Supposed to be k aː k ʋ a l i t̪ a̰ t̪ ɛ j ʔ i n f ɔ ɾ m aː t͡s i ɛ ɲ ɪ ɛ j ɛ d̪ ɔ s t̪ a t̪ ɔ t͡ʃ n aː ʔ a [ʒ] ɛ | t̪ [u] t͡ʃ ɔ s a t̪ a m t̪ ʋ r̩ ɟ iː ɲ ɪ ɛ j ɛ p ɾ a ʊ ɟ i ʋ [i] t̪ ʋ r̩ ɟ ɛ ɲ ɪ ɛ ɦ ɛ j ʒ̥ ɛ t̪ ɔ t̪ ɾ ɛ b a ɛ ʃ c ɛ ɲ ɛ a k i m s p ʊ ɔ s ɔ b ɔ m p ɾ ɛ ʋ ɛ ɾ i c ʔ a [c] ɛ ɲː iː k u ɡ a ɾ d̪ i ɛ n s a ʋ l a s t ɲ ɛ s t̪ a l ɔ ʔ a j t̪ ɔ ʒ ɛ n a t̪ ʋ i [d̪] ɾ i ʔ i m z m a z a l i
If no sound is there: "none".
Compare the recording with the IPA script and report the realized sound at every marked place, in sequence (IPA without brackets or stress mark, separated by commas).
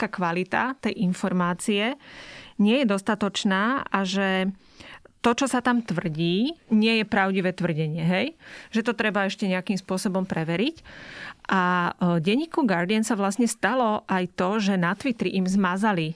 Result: ʒ, ɔ, ɛ, ɟ, t̪